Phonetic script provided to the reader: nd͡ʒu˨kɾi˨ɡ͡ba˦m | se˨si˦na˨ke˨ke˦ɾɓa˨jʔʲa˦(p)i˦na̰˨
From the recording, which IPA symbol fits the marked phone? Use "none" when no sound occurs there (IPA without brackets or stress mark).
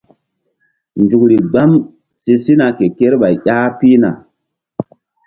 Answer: p